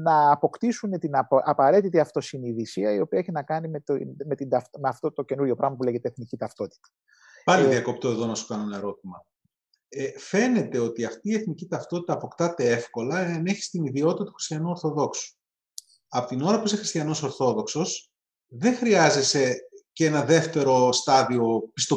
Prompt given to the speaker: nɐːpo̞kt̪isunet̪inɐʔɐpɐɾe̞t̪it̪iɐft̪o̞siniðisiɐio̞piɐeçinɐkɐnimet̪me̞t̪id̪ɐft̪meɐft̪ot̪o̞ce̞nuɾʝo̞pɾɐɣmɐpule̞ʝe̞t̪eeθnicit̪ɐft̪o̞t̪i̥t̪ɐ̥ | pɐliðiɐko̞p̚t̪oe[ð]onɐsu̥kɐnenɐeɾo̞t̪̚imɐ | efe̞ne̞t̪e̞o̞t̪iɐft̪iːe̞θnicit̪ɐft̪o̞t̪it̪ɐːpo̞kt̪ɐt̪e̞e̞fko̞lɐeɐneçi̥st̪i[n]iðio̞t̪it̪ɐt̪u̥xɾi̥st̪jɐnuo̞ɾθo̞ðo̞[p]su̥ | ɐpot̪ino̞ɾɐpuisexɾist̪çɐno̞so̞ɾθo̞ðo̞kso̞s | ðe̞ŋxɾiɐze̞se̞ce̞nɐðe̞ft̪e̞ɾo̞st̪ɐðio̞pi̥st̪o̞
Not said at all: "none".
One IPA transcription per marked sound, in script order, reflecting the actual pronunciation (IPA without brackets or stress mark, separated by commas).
ð, n, k